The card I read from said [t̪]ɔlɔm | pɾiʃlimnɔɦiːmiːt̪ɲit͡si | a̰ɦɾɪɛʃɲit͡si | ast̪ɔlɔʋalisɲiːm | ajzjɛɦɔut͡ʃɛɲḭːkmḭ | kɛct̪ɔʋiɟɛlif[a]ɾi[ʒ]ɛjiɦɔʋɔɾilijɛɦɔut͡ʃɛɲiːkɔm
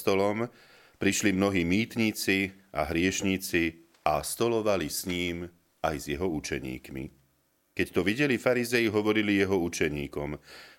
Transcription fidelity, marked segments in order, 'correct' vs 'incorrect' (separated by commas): correct, correct, incorrect